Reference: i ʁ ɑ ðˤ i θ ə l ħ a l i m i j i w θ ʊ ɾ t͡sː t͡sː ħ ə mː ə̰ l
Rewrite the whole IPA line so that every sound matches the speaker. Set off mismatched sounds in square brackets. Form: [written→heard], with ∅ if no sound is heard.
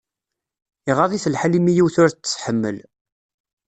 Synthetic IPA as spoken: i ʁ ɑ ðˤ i θ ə l ħ a l i m i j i w θ ʊ ɾ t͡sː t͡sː ħ ə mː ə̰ l